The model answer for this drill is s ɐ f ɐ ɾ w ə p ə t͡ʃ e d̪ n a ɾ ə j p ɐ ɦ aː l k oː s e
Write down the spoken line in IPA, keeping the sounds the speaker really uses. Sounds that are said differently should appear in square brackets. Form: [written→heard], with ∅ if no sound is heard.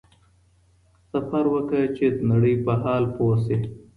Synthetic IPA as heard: s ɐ f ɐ ɾ w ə [p→k] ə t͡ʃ e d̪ n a [ɾ→ɽ] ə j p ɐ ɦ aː l [k→p] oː s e